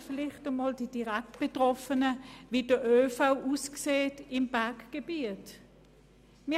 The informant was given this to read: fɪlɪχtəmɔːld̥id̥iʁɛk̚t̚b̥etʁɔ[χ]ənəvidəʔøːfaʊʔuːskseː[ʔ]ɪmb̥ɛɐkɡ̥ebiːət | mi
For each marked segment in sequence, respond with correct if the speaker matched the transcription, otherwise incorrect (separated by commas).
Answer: incorrect, incorrect